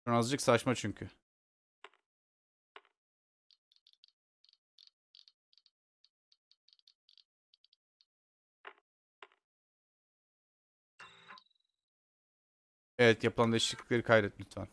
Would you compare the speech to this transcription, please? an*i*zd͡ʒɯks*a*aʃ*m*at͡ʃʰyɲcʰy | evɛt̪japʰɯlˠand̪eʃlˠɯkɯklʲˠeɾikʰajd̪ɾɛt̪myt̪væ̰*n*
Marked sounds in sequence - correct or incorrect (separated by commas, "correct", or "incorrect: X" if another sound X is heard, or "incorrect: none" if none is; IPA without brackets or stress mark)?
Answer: incorrect: a, correct, correct, correct